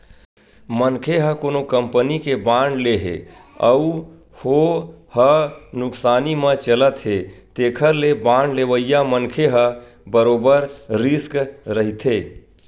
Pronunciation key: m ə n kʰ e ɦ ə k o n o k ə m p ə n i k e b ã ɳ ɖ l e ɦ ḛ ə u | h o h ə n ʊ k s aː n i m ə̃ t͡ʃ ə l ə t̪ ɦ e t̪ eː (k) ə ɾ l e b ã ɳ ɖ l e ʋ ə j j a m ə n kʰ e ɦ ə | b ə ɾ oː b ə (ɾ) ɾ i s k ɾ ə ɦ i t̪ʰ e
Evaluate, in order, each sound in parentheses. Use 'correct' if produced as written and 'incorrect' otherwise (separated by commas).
incorrect, correct